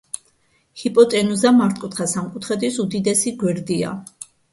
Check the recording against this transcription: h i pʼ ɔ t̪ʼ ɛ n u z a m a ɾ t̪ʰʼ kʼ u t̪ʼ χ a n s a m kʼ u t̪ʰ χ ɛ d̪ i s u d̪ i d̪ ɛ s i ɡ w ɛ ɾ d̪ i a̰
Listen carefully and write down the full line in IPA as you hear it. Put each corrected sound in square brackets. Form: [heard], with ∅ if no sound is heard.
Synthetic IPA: h i pʼ ɔ t̪ʼ ɛ n u z a m a ɾ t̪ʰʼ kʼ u [t̪] χ a [∅] s a m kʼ u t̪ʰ χ ɛ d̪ i s u d̪ i d̪ ɛ s i ɡ w ɛ ɾ d̪ i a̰